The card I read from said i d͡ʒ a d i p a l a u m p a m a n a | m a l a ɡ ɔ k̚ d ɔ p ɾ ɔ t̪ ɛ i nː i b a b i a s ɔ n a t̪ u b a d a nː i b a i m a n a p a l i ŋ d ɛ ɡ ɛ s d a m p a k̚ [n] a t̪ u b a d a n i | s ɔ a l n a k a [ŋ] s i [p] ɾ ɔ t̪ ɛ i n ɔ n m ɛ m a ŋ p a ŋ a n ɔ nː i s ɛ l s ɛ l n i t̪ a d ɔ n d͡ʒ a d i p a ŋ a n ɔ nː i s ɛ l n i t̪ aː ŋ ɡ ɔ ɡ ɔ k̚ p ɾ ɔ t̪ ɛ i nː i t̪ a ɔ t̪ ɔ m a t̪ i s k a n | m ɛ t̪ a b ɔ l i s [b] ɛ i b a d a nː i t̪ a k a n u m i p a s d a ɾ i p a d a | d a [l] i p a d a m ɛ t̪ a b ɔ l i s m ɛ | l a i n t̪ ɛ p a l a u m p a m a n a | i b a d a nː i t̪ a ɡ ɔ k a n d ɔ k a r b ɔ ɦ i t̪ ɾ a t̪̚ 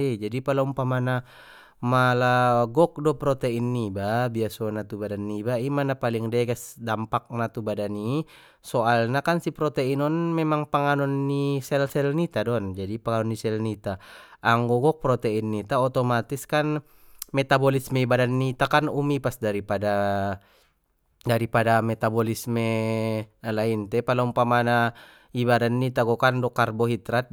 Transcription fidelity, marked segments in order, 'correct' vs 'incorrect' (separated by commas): correct, incorrect, correct, incorrect, incorrect